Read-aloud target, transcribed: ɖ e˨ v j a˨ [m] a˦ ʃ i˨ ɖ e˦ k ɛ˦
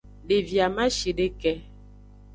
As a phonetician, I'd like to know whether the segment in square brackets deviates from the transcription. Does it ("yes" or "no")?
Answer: no